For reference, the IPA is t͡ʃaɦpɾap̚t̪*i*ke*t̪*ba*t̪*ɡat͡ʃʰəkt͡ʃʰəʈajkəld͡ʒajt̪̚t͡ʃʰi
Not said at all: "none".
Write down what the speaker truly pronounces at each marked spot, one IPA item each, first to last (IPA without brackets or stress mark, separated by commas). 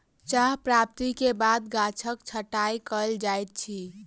i, none, d̪